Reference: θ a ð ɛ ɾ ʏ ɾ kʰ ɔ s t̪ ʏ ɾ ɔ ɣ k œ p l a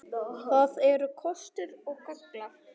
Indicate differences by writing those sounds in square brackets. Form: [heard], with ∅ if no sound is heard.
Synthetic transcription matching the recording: θ a ð ɛ ɾ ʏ [∅] kʰ ɔ s t̪ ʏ ɾ ɔ ɣ k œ [k] l a